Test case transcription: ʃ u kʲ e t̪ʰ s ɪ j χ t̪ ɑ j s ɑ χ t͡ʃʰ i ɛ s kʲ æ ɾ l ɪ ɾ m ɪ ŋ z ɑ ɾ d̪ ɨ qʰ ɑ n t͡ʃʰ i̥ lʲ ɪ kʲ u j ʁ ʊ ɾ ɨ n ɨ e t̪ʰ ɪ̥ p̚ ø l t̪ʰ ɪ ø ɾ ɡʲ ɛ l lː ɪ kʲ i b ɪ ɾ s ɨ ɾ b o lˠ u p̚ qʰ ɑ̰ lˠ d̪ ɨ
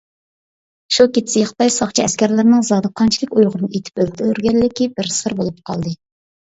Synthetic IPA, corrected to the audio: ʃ u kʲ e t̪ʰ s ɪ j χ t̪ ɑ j s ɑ χ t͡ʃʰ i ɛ s kʲ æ ɾ l ɪ ɾ n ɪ ŋ z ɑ d̪ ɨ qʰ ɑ n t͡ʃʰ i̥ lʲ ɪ kʲ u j ʁ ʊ ɾ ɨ n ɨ e t̪ʰ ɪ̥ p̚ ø l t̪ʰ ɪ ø ɾ ɡʲ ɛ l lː ɪ kʲ i b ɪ ɾ s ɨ ɾ b o lˠ u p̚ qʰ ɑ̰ lˠ d̪ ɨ